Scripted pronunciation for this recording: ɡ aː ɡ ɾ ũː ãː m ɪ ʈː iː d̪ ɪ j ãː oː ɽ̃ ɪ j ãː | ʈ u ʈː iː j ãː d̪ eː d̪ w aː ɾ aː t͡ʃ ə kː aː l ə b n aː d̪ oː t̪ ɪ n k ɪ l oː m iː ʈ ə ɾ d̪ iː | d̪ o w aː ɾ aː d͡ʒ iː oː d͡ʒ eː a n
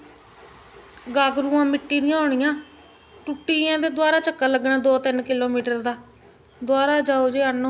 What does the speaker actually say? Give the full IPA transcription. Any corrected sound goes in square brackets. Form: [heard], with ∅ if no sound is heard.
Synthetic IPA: ɡ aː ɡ ɾ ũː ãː m ɪ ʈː iː d̪ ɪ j ãː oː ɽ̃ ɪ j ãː | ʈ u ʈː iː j ãː d̪ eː d̪ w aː ɾ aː t͡ʃ ə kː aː l ə [ɡ] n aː d̪ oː t̪ ɪ n k ɪ l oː m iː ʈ ə ɾ d̪ [aː] | d̪ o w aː ɾ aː d͡ʒ [aː] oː d͡ʒ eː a n